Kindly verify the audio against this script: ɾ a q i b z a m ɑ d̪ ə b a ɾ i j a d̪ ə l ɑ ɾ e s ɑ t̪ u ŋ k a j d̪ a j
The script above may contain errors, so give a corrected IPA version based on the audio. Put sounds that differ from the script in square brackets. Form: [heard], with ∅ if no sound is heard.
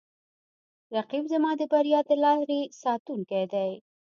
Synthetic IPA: ɾ a q i b z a m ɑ d̪ ə b a ɾ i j [ɑ] d̪ ə l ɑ ɾ e s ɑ t̪ u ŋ k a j d̪ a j